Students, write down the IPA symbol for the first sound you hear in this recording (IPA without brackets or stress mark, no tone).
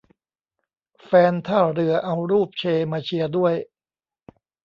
f